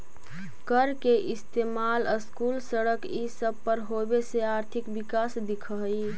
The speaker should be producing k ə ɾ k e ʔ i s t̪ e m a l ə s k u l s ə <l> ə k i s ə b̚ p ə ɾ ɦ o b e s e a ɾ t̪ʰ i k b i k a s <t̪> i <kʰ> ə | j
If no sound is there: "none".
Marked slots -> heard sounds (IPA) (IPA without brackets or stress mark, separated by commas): ɽ, d̪, kʰ